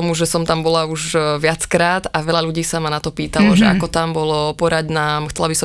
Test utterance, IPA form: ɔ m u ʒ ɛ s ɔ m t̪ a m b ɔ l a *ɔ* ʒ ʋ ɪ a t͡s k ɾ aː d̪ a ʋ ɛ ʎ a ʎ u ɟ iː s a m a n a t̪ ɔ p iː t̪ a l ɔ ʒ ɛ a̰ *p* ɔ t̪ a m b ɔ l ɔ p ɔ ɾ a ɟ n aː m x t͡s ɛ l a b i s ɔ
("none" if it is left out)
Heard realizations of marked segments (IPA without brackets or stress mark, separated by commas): u, k